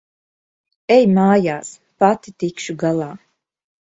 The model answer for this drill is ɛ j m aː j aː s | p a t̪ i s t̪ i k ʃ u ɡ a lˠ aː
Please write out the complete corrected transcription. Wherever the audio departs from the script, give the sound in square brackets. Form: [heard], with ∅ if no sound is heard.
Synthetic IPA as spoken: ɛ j m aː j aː s | p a t̪ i [∅] t̪ i k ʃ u ɡ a lˠ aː